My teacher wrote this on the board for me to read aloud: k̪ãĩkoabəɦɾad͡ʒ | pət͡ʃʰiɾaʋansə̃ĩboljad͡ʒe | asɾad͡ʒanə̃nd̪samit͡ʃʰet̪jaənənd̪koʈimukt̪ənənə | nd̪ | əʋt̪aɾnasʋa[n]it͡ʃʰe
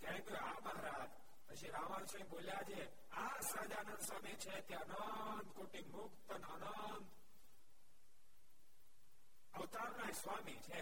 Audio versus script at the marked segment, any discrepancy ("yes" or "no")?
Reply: yes